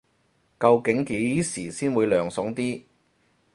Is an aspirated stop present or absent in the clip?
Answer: absent